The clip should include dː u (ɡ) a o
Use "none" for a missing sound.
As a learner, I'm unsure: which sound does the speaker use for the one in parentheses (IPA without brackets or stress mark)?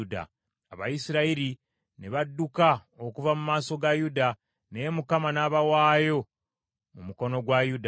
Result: k